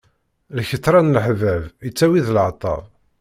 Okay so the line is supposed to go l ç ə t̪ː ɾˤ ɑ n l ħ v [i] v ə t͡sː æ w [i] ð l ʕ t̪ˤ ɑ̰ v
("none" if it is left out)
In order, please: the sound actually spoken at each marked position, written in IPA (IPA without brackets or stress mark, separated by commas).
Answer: æ, i